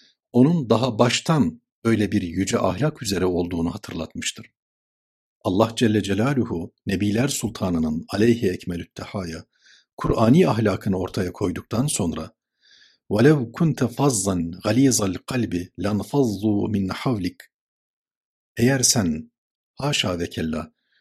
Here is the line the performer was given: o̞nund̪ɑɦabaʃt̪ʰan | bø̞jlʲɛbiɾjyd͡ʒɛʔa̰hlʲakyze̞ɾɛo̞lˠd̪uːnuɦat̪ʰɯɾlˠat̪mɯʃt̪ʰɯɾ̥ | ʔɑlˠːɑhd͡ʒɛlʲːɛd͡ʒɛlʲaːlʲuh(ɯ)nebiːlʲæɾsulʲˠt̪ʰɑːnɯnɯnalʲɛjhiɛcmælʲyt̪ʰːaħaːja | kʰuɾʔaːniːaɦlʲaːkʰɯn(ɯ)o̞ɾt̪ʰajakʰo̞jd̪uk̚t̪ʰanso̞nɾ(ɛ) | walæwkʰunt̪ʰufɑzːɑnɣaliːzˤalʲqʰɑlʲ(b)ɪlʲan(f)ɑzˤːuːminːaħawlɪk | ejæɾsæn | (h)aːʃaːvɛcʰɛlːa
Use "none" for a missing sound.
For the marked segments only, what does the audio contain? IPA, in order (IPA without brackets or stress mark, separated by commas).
u, ɯ, a, b, f, h